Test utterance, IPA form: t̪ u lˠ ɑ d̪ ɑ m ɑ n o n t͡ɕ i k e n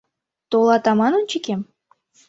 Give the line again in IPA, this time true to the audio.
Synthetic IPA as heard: t̪ o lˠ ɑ t̪ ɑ m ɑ n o n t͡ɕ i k e m